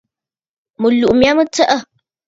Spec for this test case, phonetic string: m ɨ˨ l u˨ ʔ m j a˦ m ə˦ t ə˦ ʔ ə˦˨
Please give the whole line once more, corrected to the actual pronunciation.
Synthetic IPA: m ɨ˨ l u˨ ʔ m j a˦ m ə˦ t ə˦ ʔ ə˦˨